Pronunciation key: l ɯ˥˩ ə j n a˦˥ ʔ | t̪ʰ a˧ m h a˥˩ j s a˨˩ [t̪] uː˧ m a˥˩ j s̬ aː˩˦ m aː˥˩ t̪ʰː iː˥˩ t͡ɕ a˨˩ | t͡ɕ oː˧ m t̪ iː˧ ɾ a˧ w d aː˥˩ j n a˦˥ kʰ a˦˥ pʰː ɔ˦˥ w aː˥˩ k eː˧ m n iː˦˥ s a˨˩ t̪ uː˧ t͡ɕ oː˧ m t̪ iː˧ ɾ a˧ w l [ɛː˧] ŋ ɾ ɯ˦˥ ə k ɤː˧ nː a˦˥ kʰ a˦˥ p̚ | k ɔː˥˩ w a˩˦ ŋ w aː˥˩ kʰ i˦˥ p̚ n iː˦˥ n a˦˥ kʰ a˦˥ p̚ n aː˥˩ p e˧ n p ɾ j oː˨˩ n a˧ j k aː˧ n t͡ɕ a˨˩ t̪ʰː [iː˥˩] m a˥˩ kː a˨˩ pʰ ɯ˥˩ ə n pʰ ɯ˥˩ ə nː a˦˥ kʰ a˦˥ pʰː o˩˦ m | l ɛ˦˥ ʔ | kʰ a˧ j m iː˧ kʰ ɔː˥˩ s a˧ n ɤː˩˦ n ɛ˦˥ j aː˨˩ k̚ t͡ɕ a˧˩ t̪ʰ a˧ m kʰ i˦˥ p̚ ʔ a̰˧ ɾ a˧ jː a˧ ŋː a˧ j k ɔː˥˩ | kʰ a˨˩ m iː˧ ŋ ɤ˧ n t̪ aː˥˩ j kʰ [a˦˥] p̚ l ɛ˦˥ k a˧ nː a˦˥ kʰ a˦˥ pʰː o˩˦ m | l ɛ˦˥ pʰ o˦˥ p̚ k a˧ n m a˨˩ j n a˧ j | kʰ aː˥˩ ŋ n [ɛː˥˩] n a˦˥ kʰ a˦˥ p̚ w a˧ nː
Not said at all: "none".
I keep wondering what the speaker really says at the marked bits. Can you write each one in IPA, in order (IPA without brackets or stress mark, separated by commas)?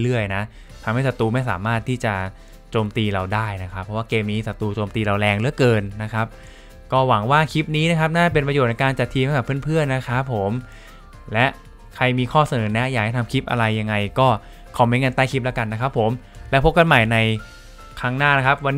t̪, ɛː˧, iː˧, i˦˥, aː˥˩